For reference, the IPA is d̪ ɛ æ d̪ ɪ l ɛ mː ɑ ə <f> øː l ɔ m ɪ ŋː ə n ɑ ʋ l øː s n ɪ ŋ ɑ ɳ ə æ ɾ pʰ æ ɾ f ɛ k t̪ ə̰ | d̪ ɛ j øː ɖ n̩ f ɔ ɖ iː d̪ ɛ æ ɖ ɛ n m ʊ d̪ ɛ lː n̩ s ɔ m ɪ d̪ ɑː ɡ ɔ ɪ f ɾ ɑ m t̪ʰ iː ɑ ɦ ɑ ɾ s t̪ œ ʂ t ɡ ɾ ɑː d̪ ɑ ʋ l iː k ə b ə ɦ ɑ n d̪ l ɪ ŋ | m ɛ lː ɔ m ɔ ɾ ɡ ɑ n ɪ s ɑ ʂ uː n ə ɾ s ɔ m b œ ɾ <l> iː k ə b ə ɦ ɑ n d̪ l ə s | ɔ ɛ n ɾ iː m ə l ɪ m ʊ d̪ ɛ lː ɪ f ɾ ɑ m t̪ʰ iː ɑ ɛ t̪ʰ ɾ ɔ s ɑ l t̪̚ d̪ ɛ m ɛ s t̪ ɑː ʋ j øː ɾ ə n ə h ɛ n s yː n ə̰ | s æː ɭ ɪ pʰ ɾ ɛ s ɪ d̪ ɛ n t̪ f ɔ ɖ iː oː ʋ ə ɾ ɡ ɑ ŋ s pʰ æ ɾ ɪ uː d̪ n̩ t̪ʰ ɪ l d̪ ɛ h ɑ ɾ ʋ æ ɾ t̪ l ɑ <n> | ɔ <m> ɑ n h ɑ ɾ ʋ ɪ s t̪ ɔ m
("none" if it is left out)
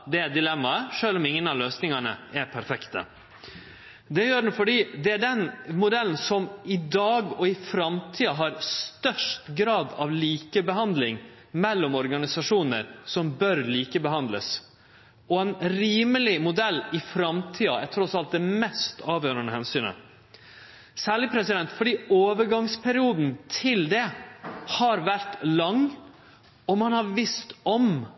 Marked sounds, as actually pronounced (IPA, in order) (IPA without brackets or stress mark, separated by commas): ʂ, l, ŋ, m